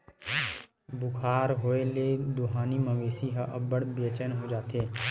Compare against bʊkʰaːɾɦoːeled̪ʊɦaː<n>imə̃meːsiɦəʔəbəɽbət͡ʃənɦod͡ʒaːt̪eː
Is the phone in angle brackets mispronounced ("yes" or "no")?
no